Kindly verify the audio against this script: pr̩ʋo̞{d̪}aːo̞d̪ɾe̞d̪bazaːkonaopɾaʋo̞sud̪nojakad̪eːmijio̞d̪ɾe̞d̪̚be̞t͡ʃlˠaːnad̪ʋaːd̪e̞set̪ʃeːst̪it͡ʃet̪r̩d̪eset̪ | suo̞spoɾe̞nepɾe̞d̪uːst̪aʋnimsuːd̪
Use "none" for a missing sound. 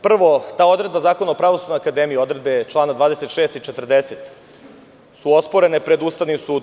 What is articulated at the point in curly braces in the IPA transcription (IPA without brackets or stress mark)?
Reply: t̪